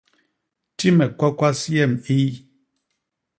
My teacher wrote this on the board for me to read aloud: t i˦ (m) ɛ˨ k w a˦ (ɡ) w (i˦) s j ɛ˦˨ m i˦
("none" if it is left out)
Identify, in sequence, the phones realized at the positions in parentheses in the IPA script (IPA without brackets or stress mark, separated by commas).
m, k, a˦